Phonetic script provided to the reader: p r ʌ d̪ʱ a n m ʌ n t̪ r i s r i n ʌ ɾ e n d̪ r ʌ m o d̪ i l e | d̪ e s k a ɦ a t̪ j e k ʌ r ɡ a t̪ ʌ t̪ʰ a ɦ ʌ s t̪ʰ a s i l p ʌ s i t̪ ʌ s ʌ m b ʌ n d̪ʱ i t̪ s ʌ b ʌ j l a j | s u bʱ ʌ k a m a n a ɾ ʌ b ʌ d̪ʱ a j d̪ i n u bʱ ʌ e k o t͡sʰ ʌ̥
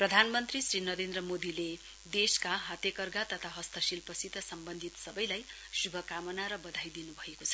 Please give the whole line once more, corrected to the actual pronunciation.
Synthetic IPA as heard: p r ʌ d̪ʱ a n m ʌ n t̪ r i s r i n ʌ ɾ e n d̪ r ʌ m o d̪ i l e | d̪ e s k a ɦ a t̪ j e k ʌ r ɡ a t̪ ʌ t̪ʰ a ɦ ʌ s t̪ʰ ʌ s i l p ʌ s i t̪ ʌ s ʌ m b ʌ n d̪ʱ i t̪ s ʌ b ʌ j l a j | s u bʱ ʌ k a m ʌ n a ɾ ʌ b ʌ d̪ʱ a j d̪ i n u bʱ ʌ e k o t͡sʰ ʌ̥